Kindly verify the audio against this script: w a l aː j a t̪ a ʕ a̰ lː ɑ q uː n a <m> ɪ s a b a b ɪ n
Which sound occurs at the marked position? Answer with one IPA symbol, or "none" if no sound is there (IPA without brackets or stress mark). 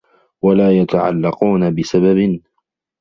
b